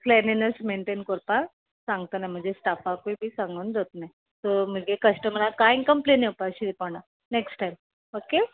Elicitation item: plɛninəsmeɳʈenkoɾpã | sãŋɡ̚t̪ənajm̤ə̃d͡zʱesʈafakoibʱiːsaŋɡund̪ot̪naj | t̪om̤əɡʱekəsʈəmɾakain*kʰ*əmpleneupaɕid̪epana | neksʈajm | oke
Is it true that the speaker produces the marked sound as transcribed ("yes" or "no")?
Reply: no